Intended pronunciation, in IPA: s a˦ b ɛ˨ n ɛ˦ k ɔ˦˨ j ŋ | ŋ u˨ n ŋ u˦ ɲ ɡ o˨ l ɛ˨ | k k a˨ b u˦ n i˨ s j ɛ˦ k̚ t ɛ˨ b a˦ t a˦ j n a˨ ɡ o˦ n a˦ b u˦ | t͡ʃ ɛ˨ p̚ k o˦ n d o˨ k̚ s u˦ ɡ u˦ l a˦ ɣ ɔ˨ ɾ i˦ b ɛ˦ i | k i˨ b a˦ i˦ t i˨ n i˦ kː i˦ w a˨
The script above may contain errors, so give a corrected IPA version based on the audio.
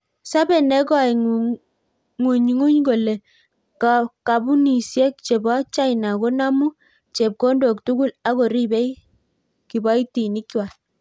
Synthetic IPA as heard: s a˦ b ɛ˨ n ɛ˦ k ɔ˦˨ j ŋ | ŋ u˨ ɲ ŋ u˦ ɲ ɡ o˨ l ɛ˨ | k k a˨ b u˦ n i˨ s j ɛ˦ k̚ t͡ʃ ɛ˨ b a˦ t͡ʃ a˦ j n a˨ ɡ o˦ n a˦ m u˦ | t͡ʃ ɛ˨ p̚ k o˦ n d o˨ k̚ t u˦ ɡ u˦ l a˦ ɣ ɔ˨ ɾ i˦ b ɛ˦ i | k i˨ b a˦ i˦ t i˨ n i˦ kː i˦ w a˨

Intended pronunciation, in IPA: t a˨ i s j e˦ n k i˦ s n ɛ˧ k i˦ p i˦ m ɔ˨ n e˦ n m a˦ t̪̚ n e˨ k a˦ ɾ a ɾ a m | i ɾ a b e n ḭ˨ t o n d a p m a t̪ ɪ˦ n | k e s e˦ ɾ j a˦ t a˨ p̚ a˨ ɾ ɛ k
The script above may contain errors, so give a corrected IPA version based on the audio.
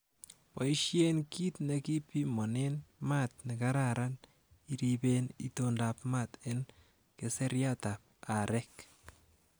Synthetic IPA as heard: p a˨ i ʃ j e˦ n k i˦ t n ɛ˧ k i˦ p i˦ m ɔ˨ n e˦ n m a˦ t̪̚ n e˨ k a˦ ɾ a ɾ a n | i ɾ i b e n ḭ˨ t o n d a p m a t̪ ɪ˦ n | k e s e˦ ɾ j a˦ t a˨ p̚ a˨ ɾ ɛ k

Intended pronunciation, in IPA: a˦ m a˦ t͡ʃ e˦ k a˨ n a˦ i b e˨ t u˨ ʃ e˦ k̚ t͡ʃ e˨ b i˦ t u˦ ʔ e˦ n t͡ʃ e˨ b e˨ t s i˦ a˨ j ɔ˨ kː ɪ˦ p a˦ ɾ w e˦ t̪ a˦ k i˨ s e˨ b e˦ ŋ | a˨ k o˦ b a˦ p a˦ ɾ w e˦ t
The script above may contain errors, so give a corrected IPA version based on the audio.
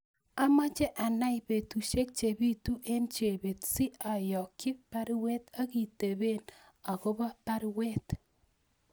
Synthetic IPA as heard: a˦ m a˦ t͡ʃ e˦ ʔ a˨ n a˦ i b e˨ t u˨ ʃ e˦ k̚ t͡ʃ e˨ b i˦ t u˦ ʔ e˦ n t͡ʃ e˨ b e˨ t s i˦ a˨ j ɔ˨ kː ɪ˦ p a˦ ɾ w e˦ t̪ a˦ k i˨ t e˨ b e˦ n | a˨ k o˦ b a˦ p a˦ ɾ w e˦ t

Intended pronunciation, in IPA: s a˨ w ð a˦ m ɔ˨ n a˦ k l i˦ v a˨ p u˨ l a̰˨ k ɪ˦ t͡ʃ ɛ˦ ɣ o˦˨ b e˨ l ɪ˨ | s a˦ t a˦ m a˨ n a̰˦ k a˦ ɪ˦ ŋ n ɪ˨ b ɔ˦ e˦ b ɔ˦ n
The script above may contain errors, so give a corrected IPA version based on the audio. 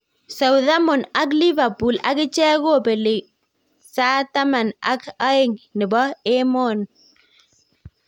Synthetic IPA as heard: s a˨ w ð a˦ m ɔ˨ n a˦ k l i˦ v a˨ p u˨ l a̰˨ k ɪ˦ t͡ʃ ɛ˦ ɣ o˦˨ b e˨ l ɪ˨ | s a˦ t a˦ m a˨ n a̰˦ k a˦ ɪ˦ ŋ n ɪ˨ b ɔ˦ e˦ m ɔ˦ n

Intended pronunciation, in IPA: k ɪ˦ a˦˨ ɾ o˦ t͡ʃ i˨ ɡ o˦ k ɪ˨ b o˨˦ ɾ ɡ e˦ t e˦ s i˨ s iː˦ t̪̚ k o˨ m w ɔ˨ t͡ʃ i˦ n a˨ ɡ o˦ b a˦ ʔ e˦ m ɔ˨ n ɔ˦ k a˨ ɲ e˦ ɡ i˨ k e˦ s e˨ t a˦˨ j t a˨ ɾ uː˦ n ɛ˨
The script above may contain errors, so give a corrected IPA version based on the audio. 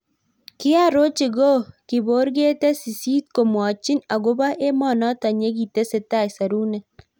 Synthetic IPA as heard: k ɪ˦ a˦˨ ɾ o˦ t͡ʃ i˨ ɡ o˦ k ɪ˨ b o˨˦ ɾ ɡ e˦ t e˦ s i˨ s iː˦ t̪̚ k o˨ m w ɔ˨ t͡ʃ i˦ n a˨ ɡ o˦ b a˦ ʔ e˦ m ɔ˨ n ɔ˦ t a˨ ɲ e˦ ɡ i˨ t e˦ s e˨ t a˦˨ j s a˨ ɾ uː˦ n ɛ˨

